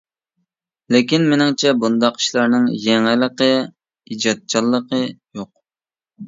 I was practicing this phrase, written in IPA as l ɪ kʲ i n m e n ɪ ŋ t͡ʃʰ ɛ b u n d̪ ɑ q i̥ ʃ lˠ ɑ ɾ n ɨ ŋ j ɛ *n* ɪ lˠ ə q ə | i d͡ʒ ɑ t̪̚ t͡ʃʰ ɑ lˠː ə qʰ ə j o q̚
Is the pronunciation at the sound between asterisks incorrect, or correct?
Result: incorrect